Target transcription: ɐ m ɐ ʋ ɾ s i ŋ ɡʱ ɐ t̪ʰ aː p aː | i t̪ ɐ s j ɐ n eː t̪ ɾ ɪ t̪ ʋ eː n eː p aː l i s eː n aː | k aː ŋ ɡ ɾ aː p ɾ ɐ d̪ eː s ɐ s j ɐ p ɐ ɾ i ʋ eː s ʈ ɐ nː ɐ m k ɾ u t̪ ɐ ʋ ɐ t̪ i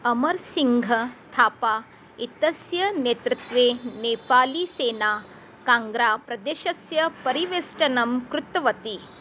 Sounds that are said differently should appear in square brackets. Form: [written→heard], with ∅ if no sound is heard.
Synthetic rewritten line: ɐ m ɐ [ʋ→∅] ɾ s i ŋ ɡʱ ɐ t̪ʰ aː p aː | i t̪ ɐ s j ɐ n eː t̪ ɾ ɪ t̪ ʋ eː n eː p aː l i s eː n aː | k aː ŋ ɡ ɾ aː p ɾ ɐ d̪ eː [s→ʃ] ɐ s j ɐ p ɐ ɾ i ʋ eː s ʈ ɐ [nː→n] ɐ m k ɾ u t̪ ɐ ʋ ɐ t̪ i